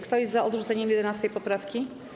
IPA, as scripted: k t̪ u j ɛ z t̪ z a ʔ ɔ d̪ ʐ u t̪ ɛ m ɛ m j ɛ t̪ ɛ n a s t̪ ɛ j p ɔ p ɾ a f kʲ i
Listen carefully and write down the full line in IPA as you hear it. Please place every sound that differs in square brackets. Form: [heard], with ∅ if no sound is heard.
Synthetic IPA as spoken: k t̪ [ɔ] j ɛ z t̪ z a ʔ ɔ d̪ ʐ u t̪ ɛ [ɲ] ɛ m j ɛ [d̪] ɛ n a s t̪ ɛ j p ɔ p ɾ a f kʲ i